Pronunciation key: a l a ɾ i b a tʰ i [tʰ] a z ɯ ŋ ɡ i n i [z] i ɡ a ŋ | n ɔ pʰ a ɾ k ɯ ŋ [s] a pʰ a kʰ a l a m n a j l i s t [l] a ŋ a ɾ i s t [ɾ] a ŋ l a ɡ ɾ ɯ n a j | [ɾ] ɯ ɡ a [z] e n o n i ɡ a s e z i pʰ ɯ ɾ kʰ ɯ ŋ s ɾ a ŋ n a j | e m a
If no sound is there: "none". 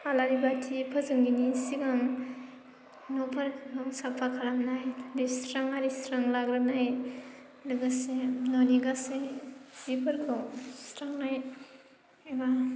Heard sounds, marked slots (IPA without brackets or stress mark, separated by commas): pʰ, s, s, ɾ, ɾ, l, s